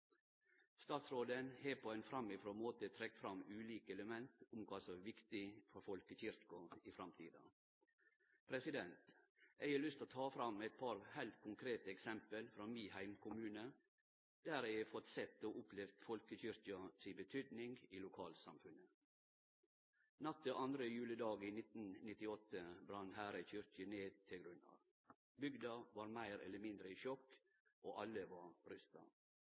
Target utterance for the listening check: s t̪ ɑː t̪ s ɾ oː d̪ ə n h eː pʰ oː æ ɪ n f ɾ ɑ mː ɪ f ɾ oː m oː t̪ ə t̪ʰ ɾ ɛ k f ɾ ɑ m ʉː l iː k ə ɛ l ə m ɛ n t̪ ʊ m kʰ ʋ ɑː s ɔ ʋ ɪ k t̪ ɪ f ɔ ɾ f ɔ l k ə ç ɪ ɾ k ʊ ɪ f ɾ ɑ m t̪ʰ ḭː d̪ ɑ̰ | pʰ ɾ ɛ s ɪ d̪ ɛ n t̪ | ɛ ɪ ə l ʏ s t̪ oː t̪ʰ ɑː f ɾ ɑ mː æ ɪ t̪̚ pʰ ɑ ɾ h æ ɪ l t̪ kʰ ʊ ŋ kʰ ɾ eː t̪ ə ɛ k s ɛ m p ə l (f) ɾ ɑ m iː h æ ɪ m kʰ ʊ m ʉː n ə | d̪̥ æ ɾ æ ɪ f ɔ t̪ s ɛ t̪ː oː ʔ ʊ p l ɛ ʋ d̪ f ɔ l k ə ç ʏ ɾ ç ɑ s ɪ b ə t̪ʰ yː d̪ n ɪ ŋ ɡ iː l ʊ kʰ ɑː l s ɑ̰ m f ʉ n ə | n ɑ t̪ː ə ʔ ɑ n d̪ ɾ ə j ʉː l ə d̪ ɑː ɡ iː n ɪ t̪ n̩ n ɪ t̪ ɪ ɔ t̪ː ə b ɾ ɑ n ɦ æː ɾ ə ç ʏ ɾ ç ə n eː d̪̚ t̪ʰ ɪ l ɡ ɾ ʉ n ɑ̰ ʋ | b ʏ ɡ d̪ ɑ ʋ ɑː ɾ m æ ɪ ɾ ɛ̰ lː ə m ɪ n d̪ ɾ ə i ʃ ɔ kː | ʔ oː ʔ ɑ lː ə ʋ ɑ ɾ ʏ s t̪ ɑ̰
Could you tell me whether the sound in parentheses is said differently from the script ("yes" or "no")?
no